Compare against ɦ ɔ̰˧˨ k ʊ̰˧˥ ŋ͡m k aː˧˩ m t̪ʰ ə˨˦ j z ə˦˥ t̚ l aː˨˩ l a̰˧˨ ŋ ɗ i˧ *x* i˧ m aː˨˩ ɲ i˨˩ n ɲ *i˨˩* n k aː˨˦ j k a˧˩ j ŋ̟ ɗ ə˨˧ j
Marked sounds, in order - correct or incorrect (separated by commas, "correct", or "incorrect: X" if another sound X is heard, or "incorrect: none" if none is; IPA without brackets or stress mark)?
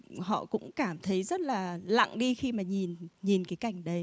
correct, correct